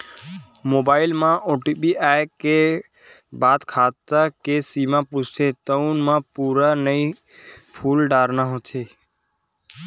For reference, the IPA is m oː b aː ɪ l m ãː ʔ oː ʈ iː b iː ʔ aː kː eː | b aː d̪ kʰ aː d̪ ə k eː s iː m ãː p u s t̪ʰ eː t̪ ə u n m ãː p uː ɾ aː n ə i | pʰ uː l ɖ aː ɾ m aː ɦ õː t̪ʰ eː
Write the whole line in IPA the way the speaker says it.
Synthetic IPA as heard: m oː b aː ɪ l m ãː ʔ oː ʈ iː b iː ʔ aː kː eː | b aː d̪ kʰ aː t̪ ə k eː s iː m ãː p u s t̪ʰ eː t̪ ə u n m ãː p uː ɾ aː n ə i | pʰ uː l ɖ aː ɾ n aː ɦ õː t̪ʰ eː